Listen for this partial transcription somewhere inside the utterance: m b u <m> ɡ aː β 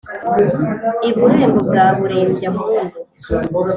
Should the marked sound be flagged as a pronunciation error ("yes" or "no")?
yes